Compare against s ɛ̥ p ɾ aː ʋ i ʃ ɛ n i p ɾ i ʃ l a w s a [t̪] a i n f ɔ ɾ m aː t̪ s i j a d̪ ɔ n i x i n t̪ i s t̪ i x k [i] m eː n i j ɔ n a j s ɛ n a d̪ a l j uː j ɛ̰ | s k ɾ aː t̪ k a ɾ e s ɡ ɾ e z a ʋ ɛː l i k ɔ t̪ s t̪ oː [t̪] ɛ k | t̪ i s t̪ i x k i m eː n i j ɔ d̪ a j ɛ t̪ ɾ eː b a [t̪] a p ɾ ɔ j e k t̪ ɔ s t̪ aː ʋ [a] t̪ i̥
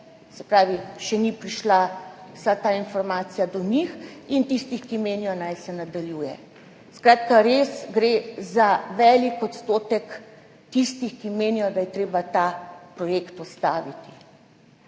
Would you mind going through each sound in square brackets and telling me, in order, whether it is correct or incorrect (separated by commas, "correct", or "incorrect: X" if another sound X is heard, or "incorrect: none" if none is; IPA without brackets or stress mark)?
correct, correct, correct, correct, incorrect: i